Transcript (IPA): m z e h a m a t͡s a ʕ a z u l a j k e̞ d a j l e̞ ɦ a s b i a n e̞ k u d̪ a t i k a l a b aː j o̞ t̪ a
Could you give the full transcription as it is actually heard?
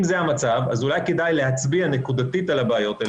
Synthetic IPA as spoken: m z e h a m a t͡s a v a z u l a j k e̞ d a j l e̞ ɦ a t͡s b i a n e̞ k u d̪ a t i t a l a b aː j o̞ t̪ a